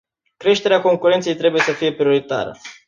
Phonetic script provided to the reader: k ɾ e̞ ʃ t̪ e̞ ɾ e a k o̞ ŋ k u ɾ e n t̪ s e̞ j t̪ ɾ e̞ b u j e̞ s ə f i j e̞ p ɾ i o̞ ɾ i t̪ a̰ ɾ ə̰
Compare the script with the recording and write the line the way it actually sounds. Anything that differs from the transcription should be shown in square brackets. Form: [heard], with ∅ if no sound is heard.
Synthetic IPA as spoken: k ɾ e̞ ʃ t̪ e̞ ɾ e a k o̞ ŋ k u ɾ e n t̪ s e̞ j t̪ ɾ e̞ b u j e̞ s ə f i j e̞ p ɾ i o̞ ɾ i t̪ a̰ ɾ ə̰